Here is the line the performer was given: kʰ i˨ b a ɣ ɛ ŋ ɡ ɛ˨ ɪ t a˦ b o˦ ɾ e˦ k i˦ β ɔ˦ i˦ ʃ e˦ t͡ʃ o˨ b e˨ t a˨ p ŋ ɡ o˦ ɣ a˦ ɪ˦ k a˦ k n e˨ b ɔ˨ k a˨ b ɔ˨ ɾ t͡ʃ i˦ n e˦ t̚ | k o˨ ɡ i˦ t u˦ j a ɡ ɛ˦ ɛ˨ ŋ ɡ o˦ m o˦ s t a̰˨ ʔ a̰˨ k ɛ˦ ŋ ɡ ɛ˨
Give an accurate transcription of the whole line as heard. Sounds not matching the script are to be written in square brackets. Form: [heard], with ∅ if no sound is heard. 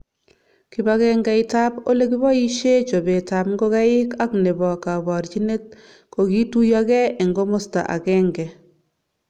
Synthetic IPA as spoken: [k] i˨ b a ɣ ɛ ŋ ɡ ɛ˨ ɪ t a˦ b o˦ [l] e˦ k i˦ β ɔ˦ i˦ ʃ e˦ t͡ʃ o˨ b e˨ t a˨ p ŋ ɡ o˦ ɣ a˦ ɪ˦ k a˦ k n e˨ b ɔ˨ k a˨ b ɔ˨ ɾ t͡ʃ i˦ n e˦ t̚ | k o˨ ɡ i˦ t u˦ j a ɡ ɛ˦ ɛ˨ ŋ ɡ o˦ m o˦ s t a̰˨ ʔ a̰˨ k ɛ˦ ŋ ɡ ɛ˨